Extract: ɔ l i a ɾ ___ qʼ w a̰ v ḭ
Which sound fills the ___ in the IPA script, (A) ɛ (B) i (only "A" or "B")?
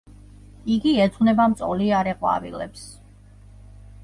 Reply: A